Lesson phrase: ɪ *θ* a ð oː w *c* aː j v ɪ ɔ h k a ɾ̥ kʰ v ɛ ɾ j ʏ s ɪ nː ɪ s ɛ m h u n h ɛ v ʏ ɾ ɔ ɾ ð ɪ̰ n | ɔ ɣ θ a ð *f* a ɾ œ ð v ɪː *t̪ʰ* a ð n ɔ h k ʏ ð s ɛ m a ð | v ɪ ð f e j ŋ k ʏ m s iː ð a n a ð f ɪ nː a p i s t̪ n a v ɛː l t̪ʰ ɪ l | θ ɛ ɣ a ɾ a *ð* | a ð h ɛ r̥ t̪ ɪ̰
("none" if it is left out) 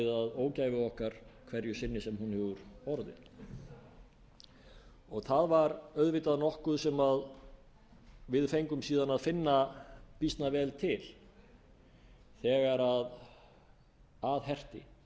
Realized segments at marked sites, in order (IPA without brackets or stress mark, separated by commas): ð, c, v, t̪, ð